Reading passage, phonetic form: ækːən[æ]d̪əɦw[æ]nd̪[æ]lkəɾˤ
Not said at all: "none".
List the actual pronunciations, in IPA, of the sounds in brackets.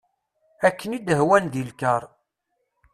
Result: i, æ, i

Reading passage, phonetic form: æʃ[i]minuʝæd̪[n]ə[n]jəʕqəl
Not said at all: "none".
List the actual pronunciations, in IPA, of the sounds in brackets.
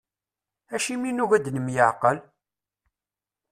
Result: i, n, m

